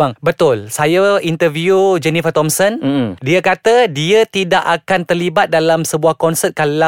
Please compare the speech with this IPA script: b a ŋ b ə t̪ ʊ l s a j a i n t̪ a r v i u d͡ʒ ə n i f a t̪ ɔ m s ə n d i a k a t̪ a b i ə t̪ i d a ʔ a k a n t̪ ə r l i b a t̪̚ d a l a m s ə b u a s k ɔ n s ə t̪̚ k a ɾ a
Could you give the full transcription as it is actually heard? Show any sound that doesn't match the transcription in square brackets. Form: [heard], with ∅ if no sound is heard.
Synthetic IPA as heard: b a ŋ b ə t̪ ʊ l s a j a i n t̪ [ə] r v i u d͡ʒ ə n i f a t̪ ɔ m s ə n d i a k a t̪ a [d] i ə t̪ i d a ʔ a k a n t̪ ə r l i b a t̪̚ d a l a m s ə b u a [h] k ɔ n s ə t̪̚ k a [l] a